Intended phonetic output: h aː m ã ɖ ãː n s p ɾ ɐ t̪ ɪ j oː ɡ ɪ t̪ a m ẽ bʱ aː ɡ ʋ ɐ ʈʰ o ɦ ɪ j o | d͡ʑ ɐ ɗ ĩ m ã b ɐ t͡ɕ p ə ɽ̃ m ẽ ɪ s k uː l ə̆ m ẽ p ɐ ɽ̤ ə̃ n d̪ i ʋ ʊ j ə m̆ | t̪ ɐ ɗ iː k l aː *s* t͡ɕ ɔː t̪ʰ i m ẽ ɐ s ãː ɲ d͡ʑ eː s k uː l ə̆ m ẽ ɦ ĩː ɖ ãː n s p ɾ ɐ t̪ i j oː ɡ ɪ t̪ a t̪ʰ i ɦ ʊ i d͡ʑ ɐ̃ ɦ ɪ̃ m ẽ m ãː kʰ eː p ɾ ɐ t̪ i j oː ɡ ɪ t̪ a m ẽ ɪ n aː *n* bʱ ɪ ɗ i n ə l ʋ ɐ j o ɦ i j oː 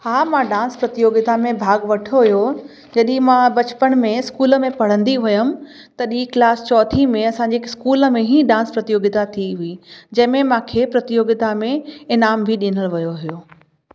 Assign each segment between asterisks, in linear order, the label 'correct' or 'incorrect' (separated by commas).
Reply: correct, incorrect